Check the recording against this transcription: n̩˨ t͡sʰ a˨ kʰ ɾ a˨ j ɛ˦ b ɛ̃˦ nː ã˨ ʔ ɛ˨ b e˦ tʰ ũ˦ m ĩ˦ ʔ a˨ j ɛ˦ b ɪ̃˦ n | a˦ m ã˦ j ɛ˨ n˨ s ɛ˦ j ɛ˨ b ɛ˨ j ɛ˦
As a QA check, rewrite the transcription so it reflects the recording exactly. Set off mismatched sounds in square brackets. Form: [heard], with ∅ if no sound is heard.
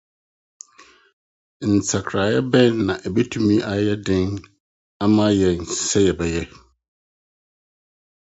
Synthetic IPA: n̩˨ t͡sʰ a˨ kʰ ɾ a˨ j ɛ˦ b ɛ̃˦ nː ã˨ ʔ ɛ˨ b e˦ tʰ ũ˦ m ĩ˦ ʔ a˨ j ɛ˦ [d] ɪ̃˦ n | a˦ m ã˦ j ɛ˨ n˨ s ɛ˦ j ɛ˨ b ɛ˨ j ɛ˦